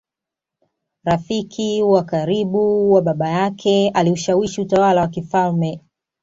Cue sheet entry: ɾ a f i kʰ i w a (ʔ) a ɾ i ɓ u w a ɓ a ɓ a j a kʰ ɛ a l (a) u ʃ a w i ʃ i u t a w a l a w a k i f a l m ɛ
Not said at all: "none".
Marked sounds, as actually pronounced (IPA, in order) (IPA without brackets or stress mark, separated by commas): k, i